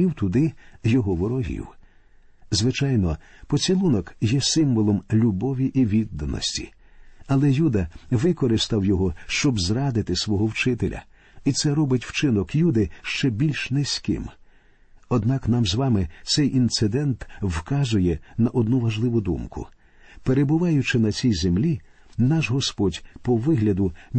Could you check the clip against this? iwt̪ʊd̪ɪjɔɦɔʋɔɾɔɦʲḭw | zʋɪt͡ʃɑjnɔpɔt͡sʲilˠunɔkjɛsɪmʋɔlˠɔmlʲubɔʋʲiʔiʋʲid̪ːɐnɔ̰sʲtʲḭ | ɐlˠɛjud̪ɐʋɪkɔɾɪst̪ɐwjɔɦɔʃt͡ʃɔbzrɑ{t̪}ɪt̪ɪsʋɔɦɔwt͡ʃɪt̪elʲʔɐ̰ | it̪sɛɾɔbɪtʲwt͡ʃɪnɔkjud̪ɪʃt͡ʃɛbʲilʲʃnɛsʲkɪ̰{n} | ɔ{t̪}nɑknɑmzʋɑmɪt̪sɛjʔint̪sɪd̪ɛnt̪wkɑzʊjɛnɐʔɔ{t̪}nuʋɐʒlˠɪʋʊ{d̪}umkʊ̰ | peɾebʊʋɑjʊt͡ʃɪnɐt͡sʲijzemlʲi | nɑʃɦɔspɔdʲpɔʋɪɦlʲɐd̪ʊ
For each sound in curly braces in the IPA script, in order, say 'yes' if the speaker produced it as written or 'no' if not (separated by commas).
no, no, no, no, yes